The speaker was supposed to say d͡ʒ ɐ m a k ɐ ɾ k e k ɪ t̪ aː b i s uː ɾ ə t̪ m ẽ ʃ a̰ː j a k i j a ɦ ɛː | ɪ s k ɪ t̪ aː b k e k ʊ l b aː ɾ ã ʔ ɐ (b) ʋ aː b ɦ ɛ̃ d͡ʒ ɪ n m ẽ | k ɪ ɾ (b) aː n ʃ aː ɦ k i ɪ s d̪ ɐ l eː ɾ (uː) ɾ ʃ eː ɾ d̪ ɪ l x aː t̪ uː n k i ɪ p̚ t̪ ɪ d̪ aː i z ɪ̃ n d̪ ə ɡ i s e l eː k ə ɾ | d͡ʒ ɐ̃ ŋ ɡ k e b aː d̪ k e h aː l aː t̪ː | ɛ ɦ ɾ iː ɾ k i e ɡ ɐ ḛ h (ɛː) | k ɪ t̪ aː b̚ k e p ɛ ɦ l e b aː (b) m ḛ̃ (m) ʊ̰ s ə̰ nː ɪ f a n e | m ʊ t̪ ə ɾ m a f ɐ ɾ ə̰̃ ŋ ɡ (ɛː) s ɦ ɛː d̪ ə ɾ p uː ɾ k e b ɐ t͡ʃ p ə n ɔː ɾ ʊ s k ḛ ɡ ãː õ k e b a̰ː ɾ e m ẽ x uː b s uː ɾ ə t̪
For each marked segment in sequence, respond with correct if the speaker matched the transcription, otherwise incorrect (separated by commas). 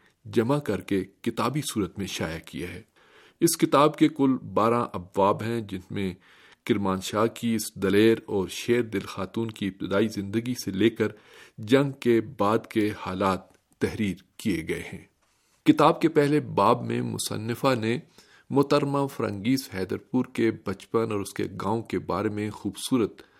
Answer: correct, incorrect, incorrect, incorrect, correct, correct, incorrect